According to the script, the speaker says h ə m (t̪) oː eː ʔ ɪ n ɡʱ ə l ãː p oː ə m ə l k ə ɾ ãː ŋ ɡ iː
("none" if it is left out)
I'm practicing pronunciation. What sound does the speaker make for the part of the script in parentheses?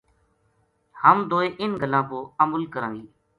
d̪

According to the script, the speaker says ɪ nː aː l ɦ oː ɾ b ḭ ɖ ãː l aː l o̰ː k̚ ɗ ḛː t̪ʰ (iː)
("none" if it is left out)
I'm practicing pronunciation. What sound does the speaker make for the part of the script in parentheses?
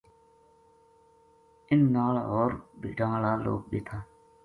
aː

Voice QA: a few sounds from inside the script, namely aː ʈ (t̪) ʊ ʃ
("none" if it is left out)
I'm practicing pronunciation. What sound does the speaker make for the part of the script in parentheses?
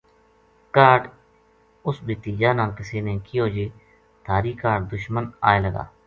d̪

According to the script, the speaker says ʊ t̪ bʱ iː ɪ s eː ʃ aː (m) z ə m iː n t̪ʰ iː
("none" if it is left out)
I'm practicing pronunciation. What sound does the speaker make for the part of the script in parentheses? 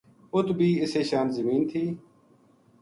n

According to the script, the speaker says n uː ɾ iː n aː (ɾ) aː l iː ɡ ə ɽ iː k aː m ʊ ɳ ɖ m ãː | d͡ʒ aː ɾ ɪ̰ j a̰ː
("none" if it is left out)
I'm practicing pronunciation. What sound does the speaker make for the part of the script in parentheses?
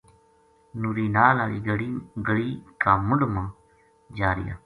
l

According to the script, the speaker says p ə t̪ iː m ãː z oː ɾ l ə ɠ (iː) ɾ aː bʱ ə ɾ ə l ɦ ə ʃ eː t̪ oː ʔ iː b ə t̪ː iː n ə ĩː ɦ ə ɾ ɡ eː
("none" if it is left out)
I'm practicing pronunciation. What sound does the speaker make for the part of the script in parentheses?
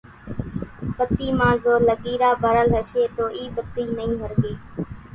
iː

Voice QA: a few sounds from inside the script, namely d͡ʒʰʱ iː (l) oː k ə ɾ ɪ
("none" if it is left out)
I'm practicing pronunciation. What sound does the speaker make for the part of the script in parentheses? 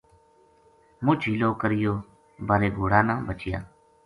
l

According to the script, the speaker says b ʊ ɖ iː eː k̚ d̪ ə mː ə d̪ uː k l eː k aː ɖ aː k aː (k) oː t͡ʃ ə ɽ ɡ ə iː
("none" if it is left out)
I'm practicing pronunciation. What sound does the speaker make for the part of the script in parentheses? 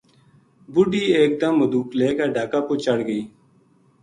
p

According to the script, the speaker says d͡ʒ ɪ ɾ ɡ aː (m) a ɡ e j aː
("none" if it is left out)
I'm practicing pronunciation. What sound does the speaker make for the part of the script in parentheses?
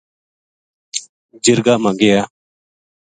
m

